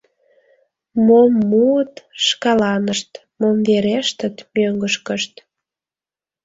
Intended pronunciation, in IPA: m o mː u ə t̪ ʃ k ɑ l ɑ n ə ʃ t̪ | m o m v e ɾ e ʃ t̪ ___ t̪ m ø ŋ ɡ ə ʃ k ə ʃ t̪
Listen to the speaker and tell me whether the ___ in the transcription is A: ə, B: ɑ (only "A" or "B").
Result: A